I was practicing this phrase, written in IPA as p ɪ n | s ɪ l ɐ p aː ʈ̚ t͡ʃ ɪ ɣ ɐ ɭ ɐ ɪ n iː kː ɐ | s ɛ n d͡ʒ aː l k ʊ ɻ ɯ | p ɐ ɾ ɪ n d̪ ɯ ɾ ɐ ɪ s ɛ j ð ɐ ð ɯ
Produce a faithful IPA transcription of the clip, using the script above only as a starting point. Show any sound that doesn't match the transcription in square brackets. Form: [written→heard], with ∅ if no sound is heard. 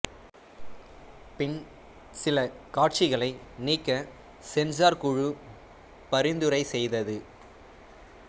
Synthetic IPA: p ɪ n | s ɪ l ɐ [p→k] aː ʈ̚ t͡ʃ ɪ ɣ ɐ ɭ ɐ ɪ n iː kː ɐ | s ɛ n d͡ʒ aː [l→ɾ] k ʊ ɻ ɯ | p ɐ ɾ ɪ n d̪ ɯ ɾ ɐ ɪ s ɛ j ð ɐ ð ɯ